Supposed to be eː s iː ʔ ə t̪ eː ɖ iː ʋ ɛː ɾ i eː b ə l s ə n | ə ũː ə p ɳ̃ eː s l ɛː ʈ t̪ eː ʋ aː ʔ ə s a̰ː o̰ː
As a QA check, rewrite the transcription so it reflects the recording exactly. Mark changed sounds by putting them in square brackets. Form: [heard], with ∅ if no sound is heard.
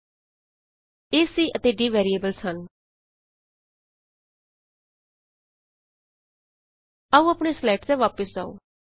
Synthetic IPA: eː s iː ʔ ə t̪ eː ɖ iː ʋ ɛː ɾ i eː b ə l s ə n | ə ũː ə p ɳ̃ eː s l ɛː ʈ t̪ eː ʋ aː [p] ə s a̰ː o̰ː

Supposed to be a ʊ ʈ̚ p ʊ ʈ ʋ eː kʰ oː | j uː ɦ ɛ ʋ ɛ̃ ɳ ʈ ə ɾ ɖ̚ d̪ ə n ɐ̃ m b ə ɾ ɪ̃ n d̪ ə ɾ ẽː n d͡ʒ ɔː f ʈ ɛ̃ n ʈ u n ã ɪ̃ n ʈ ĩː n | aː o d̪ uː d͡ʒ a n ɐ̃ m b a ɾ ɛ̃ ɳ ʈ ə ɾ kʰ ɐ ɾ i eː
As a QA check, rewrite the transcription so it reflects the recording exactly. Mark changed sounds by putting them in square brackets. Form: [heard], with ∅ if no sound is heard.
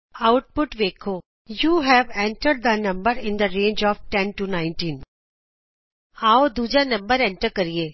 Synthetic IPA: a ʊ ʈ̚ p ʊ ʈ ʋ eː kʰ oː | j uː ɦ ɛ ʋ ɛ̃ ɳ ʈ ə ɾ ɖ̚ d̪ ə n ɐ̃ m b ə ɾ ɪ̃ n d̪ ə ɾ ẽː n d͡ʒ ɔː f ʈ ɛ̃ n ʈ u n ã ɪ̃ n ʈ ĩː n | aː o d̪ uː d͡ʒ a n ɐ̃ m b [ə] ɾ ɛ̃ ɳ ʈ ə ɾ [k] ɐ ɾ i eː

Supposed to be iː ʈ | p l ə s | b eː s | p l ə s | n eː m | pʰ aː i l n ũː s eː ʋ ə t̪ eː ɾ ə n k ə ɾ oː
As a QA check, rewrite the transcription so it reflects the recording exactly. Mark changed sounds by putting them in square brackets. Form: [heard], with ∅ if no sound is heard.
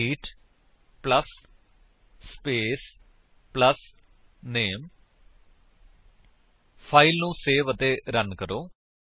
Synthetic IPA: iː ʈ | p l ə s | [p] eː s | p l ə s | n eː m | pʰ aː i l n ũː s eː ʋ ə t̪ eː ɾ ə n k ə ɾ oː

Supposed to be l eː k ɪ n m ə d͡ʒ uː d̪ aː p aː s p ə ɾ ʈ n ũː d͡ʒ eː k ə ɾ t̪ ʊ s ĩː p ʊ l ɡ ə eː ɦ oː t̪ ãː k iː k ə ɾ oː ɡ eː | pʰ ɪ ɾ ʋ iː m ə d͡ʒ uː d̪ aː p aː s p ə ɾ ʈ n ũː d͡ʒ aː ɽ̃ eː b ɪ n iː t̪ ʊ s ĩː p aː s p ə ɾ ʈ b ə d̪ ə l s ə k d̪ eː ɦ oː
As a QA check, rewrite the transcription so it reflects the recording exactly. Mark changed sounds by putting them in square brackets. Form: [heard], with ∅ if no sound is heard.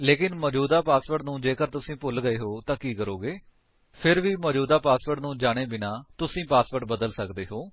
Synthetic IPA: l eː k ɪ n m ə d͡ʒ uː d̪ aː p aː s p ə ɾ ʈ n ũː d͡ʒ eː k ə ɾ t̪ ʊ s ĩː p ʊ l ɡ ə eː ɦ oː t̪ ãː k iː k ə ɾ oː ɡ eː | pʰ ɪ ɾ ʋ iː m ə d͡ʒ uː d̪ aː p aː s p ə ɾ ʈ n ũː d͡ʒ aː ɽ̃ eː b ɪ n [aː] t̪ ʊ s ĩː p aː s p ə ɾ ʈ b ə d̪ ə l s ə k d̪ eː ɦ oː

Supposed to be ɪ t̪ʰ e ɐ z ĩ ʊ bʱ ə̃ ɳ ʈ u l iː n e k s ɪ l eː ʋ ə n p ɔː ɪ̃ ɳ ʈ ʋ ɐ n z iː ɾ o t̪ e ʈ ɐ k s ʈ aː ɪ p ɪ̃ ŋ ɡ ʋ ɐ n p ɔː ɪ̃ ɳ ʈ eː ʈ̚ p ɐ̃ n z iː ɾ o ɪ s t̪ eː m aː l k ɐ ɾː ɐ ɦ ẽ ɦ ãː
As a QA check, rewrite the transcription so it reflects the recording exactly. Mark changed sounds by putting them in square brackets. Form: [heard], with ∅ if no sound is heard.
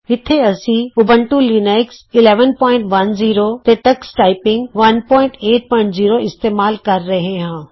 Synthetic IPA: ɪ t̪ʰ e ɐ [s] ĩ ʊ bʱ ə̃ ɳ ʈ u l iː n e k s ɪ l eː ʋ ə n p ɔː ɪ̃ ɳ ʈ ʋ ɐ n z iː ɾ o t̪ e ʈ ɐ k s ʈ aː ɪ p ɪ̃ ŋ ɡ ʋ ɐ n p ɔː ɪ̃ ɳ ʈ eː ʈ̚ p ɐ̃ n z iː ɾ o ɪ s t̪ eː m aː l k ɐ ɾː ɐ ɦ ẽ ɦ ãː

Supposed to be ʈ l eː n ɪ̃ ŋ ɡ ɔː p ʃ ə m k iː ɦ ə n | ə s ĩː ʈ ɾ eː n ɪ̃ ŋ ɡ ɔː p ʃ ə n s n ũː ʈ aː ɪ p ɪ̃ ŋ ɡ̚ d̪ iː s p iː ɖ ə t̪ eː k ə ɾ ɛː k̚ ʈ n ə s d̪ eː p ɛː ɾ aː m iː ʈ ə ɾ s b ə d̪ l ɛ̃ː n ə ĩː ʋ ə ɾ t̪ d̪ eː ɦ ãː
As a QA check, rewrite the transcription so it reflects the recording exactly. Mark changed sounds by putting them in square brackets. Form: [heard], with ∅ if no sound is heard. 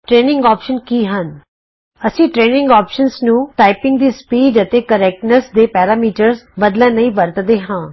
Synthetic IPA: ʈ [ɾ] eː n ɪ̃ ŋ ɡ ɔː p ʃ ə [n] k iː ɦ ə n | ə s ĩː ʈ ɾ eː n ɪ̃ ŋ ɡ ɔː p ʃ ə n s n ũː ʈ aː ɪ p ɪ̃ ŋ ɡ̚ d̪ iː s p iː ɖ ə t̪ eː k ə ɾ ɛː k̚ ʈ n ə s d̪ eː p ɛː ɾ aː m iː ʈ ə ɾ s b ə d̪ l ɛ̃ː n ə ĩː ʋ ə ɾ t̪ d̪ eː ɦ ãː

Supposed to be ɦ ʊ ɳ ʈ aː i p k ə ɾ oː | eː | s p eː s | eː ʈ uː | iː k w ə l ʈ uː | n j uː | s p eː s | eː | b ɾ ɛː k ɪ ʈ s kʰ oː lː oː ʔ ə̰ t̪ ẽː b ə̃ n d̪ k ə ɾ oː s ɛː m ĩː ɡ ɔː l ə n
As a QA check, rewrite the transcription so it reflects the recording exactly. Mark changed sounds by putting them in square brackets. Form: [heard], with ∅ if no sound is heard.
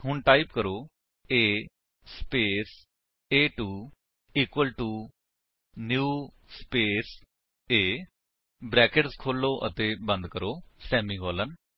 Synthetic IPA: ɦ ʊ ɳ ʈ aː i p k ə ɾ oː | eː | s p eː s | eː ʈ uː | iː k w ə l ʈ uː | n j uː | s p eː s | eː | b ɾ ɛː k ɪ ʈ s kʰ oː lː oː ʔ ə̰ t̪ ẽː b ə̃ n d̪ k ə ɾ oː s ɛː m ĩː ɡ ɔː l ə n

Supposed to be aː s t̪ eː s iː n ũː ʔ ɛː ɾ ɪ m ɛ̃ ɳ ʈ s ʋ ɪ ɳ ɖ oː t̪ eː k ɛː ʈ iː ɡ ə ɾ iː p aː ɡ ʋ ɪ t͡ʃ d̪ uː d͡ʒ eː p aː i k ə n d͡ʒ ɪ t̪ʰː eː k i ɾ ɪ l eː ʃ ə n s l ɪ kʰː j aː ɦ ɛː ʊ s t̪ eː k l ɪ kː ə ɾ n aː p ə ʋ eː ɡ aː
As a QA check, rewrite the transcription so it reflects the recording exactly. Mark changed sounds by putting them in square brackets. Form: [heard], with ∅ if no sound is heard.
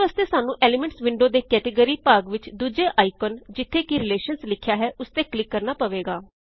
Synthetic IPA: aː s t̪ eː s [aː] n ũː ʔ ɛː [l] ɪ m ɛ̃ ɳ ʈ s ʋ ɪ ɳ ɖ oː [d̪] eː k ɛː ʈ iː ɡ ə ɾ iː p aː ɡ ʋ ɪ t͡ʃ d̪ uː d͡ʒ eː [ʔ] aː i k ə n d͡ʒ ɪ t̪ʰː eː k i ɾ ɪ l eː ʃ ə n s l ɪ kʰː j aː ɦ ɛː ʊ s t̪ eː k l ɪ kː ə ɾ n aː p ə ʋ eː ɡ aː

